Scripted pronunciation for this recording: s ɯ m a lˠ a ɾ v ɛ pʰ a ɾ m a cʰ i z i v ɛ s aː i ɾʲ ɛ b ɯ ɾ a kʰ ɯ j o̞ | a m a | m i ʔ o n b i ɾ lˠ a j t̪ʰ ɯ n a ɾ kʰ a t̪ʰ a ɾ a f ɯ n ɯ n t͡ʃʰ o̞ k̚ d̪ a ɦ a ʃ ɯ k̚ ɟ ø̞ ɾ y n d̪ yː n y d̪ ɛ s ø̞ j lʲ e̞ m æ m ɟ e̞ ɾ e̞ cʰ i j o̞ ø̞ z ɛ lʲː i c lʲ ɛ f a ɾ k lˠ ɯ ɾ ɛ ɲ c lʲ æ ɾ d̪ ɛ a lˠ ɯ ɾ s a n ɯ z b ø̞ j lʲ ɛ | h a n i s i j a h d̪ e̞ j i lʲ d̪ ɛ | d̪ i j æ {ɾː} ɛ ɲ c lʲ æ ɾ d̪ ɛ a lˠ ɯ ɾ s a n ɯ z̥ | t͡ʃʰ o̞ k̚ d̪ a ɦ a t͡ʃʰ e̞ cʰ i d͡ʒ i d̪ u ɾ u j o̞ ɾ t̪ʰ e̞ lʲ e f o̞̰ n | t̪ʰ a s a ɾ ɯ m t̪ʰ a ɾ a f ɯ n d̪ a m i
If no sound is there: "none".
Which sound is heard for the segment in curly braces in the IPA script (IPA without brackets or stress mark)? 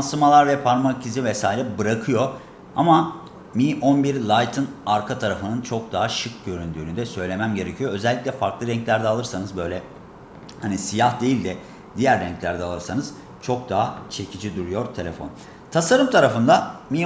ɾː